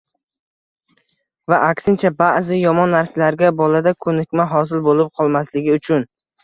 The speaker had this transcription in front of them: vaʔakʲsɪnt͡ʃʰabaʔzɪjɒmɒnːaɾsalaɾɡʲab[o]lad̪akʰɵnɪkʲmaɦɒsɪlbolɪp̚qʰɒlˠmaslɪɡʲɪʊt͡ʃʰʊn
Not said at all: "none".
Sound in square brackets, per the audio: ɒ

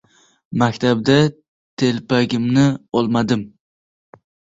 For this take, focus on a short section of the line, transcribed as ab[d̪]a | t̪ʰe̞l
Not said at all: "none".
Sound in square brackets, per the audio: d̪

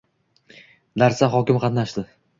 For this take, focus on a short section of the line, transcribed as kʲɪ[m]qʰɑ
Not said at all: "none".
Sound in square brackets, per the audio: m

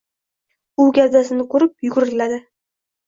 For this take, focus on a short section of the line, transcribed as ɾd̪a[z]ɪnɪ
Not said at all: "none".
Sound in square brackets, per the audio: s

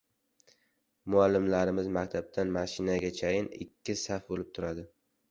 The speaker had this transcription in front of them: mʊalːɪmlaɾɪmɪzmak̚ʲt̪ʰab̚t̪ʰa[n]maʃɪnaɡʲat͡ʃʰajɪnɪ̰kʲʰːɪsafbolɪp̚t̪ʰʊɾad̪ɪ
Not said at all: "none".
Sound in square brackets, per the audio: n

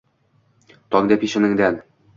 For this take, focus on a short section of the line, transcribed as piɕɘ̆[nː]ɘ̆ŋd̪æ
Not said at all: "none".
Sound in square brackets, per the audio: n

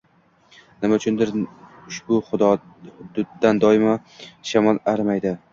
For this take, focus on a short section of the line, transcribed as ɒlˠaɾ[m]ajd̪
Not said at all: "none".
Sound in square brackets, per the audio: m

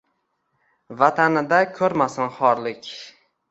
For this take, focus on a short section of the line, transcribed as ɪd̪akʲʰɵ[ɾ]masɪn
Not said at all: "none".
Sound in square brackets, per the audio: ɾ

